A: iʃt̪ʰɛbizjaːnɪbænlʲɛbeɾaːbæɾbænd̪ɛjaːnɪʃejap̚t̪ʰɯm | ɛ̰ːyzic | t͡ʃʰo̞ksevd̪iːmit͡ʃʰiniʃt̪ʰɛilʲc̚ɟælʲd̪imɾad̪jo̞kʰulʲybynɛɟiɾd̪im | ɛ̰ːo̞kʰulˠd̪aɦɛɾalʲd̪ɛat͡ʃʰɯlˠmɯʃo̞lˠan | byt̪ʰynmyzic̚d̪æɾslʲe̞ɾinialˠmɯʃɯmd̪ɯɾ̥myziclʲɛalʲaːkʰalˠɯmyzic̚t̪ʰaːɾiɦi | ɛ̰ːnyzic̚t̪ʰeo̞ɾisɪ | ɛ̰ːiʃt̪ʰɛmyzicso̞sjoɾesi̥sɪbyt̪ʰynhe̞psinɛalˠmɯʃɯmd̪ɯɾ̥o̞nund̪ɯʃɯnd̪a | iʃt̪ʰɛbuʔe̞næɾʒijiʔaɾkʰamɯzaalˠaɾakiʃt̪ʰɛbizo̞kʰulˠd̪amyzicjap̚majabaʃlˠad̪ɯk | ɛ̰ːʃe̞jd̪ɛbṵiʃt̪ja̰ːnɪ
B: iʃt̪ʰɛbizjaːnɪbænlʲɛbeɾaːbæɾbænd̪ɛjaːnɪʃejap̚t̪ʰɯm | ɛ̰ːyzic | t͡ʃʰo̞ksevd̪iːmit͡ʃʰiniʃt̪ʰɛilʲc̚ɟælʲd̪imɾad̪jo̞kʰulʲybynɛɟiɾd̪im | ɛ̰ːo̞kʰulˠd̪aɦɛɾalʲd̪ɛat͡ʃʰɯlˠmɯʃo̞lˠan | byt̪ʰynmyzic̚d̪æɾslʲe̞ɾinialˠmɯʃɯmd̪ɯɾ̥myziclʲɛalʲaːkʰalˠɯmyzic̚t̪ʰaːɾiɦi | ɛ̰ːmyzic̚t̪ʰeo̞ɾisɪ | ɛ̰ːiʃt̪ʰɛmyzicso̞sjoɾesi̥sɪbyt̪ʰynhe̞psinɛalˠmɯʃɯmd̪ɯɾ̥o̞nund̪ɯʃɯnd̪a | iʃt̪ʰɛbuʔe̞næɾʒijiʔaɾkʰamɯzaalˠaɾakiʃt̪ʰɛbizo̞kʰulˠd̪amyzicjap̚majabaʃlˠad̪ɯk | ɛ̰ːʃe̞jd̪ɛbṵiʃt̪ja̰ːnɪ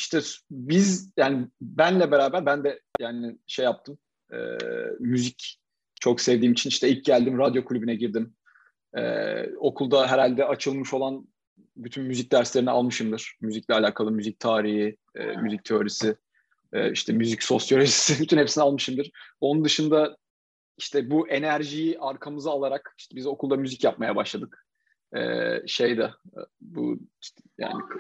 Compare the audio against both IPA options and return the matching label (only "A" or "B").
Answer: B